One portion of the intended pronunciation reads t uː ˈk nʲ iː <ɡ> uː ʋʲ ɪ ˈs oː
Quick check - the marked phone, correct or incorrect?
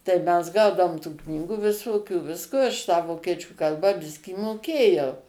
correct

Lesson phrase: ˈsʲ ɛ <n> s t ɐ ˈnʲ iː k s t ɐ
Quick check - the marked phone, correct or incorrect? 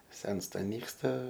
correct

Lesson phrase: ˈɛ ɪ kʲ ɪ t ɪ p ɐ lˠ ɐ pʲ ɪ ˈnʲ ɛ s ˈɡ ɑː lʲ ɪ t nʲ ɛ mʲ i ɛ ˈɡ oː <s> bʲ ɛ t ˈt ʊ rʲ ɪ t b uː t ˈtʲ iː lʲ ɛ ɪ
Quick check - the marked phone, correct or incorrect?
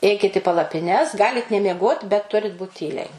incorrect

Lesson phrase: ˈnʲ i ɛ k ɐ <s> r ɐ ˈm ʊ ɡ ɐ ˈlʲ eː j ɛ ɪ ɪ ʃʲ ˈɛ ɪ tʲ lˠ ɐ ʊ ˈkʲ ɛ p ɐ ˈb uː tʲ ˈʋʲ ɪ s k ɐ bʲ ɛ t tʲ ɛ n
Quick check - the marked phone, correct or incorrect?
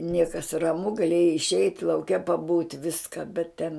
correct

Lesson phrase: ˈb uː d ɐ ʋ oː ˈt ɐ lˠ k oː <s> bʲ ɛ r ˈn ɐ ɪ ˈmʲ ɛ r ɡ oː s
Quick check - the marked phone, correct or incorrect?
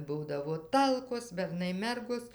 correct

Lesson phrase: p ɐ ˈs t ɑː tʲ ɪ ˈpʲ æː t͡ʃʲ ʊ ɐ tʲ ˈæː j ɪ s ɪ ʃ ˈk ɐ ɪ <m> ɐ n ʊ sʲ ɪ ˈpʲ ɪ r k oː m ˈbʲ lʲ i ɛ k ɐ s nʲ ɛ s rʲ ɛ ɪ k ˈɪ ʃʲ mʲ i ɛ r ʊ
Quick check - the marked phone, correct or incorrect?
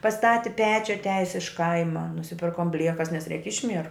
correct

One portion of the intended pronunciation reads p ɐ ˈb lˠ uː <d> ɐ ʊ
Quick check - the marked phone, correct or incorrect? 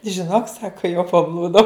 correct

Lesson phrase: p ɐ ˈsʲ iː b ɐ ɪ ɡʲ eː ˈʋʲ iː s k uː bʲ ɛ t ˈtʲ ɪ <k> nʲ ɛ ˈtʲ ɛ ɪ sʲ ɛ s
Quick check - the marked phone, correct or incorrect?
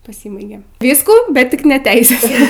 correct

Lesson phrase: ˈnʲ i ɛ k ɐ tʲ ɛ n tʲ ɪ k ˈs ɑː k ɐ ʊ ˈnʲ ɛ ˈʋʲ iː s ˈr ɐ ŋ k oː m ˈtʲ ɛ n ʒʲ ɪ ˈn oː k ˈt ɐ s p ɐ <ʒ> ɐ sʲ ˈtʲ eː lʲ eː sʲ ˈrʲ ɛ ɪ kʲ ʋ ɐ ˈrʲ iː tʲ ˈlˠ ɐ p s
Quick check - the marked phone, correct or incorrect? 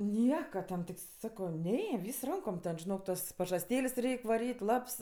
correct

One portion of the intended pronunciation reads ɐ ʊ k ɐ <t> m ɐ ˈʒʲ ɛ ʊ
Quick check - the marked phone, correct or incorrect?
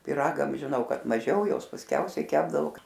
correct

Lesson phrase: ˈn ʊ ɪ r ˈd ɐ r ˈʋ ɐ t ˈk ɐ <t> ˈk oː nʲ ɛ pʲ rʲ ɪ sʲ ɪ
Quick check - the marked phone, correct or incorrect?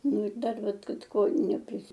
correct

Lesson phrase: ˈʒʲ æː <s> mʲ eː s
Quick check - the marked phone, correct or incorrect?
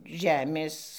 incorrect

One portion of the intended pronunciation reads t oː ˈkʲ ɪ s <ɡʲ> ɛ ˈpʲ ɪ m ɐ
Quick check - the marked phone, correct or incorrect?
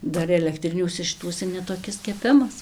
incorrect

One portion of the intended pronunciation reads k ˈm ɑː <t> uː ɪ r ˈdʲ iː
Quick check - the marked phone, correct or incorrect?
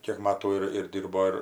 correct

